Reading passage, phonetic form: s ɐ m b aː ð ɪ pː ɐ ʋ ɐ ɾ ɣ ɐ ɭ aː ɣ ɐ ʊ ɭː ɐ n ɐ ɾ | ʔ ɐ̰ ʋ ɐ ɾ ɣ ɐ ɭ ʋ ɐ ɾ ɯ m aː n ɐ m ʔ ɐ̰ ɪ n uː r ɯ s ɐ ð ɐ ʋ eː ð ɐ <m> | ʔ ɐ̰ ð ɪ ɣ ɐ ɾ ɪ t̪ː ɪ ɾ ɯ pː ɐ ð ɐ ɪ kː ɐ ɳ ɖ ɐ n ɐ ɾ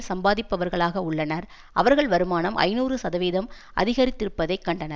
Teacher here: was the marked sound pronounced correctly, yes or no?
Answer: yes